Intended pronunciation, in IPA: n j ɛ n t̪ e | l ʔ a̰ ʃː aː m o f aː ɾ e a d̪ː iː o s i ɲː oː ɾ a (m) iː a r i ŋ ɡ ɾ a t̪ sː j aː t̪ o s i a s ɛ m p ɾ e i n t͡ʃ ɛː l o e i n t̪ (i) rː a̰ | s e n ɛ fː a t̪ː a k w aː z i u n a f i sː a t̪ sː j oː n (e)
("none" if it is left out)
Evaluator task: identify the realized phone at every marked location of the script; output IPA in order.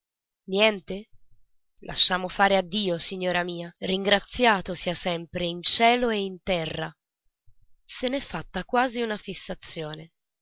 m, ɛ, e

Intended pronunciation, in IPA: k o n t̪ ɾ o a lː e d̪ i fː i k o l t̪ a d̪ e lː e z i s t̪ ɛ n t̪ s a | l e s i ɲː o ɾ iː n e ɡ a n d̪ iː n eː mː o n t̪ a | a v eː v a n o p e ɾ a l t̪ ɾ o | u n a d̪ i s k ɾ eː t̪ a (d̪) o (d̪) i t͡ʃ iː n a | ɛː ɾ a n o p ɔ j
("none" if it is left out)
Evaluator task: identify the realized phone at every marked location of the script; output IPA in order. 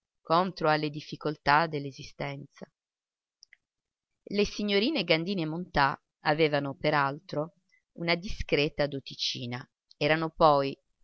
d̪, t̪

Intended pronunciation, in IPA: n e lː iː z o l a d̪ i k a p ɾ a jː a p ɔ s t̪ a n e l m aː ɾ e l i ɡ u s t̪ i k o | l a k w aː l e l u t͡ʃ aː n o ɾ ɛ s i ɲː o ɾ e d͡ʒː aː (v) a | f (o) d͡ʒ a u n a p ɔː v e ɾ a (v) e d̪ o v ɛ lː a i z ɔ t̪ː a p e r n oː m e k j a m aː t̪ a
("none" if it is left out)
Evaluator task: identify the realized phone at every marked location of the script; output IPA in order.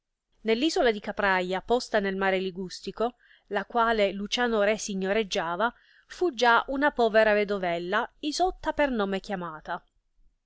v, u, v

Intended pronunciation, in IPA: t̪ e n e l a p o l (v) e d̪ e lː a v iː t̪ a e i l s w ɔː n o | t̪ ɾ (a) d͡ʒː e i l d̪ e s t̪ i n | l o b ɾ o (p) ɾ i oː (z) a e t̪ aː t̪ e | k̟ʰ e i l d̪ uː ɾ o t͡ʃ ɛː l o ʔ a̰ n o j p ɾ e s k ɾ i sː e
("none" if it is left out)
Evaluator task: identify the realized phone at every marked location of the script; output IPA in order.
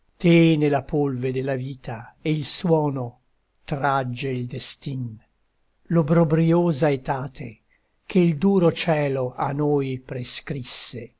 v, a, b, z

